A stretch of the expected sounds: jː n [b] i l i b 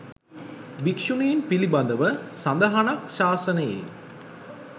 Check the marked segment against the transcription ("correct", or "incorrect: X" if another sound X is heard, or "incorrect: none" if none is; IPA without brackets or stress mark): incorrect: p